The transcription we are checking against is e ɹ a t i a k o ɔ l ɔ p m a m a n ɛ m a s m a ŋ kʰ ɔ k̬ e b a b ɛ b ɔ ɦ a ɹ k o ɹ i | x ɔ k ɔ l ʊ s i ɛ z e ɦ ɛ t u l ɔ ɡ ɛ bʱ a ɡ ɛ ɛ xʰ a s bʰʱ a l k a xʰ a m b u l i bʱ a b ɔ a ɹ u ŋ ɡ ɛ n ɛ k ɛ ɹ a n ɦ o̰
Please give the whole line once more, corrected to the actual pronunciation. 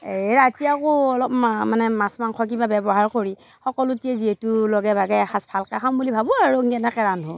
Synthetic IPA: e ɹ a t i a k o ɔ l ɔ p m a m a n ɛ m a s m a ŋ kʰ ɔ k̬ i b a b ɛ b ɔ ɦ a ɹ k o ɹ i | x ɔ k ɔ l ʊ t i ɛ z i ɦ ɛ t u l ɔ ɡ ɛ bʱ a ɡ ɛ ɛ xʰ a s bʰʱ a l k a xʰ a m b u l i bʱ a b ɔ a ɹ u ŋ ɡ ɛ n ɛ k ɛ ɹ a n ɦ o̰